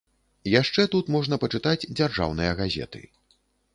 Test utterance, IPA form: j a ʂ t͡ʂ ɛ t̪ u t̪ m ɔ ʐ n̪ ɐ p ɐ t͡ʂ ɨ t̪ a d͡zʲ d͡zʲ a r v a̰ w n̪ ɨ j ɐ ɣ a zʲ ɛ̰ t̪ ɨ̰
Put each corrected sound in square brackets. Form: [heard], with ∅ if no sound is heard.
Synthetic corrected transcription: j a ʂ t͡ʂ ɛ t̪ u t̪ m ɔ ʐ n̪ ɐ p ɐ t͡ʂ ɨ t̪ a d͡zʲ d͡zʲ a r [ʐ] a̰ w n̪ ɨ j ɐ ɣ a zʲ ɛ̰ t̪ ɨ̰

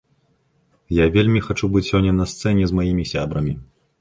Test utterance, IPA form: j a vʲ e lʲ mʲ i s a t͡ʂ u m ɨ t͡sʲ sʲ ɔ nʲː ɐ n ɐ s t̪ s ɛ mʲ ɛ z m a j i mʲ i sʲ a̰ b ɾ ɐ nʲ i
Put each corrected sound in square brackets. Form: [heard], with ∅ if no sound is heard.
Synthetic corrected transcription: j a vʲ e lʲ mʲ i [x] a t͡ʂ u [b] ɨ t͡sʲ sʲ ɔ nʲː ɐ n ɐ s t̪ s ɛ [nʲ] ɛ z m a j i mʲ i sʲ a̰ b ɾ ɐ [mʲ] i

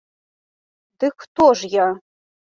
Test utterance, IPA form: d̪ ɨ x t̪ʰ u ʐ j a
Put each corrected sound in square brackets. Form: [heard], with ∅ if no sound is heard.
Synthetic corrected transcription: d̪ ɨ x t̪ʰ [o] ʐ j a

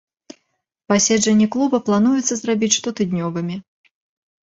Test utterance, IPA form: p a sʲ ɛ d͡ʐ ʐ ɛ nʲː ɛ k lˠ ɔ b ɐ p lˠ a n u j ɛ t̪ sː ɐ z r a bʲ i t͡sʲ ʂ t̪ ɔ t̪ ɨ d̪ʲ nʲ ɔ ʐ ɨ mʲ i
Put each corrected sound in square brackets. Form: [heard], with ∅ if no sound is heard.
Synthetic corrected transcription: p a sʲ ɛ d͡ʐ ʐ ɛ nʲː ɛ k lˠ [u] b ɐ p lˠ a n u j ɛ t̪ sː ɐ z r a bʲ i t͡sʲ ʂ t̪ ɔ t̪ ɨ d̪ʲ nʲ ɔ [v] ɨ mʲ i

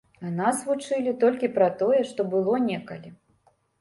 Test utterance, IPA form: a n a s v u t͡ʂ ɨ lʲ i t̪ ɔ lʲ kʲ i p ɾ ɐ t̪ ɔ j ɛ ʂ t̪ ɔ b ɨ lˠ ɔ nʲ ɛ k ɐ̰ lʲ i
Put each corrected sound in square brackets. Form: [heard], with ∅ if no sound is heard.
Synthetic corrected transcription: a n a s v u t͡ʂ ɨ lʲ i t̪ ɔ lʲ kʲ i p ɾ ɐ t̪ ɔ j ɛ ʂ t̪ ɔ b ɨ lˠ ɔ nʲ ɛ k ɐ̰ lʲ i

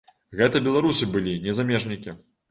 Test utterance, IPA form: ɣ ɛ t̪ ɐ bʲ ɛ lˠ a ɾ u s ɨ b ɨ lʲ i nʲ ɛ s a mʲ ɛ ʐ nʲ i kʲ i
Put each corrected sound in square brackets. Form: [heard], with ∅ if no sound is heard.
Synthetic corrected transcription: ɣ ɛ t̪ ɐ bʲ ɛ lˠ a ɾ u s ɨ b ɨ lʲ i nʲ ɛ [z] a mʲ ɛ ʐ nʲ i kʲ i

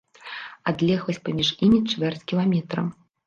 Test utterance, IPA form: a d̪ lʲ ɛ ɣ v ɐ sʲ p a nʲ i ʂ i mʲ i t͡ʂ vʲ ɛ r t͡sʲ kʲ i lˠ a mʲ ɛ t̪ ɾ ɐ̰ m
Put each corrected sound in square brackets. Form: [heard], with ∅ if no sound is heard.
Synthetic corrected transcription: a d̪ lʲ ɛ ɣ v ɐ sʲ p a [mʲ] i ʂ i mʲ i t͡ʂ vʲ ɛ r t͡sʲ kʲ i lˠ a mʲ ɛ t̪ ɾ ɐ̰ m

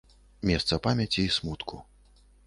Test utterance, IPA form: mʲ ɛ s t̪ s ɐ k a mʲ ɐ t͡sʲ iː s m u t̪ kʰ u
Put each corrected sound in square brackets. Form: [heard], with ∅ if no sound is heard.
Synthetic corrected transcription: mʲ ɛ s t̪ s ɐ [p] a mʲ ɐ t͡sʲ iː s m u t̪ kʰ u

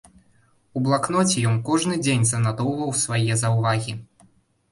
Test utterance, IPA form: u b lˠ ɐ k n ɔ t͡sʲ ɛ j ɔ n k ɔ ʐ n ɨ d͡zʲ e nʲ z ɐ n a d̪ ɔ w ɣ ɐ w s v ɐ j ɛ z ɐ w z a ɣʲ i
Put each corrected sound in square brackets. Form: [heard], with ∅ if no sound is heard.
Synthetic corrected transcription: u b lˠ [a] k n ɔ t͡sʲ ɛ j ɔ n k ɔ ʐ n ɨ d͡zʲ e nʲ z ɐ n a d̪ ɔ w [v] ɐ w s v [a] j ɛ z ɐ w [v] a ɣʲ i

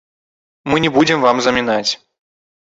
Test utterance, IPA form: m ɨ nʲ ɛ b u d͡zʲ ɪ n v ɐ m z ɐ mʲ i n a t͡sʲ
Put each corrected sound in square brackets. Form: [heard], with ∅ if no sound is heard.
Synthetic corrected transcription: m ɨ nʲ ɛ b u d͡zʲ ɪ [m] v [a] m z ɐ mʲ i n a t͡sʲ

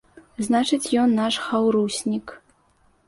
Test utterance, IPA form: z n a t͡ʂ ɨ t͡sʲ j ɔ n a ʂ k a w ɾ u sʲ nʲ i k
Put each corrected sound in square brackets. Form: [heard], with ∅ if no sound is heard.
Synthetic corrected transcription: z n a t͡ʂ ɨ t͡sʲ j ɔ [nː] a ʂ [x] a w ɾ u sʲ nʲ i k

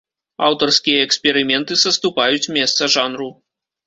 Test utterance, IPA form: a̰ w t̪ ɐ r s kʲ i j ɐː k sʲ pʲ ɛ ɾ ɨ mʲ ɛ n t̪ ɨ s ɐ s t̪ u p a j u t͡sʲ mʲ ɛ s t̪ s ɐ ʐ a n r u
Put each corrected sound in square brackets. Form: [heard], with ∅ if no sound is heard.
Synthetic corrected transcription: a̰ w t̪ ɐ r s kʲ i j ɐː k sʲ pʲ ɛ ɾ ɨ mʲ ɛ n t̪ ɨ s ɐ s t̪ u p a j u t͡sʲ mʲ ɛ s t̪ s ɐ ʐ a n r u

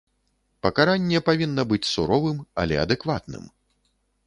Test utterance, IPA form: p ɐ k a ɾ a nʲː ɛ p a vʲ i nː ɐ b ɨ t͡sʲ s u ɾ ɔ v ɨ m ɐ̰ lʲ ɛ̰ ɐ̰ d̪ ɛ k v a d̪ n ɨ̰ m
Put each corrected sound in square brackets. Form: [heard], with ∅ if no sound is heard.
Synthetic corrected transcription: p ɐ k a ɾ a nʲː ɛ p a vʲ i nː ɐ b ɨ t͡sʲ s u ɾ ɔ v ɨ m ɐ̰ lʲ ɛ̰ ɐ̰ d̪ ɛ k v a [t̪] n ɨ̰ m

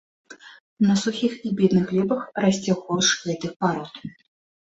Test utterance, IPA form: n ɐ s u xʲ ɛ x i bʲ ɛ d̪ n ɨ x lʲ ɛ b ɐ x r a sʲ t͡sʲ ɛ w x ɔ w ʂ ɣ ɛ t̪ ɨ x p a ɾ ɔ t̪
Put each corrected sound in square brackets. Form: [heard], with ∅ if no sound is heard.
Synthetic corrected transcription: n ɐ s u xʲ [i] x i bʲ ɛ d̪ n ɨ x lʲ ɛ b ɐ x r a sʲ t͡sʲ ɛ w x ɔ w ʂ ɣ ɛ t̪ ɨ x p a ɾ ɔ t̪

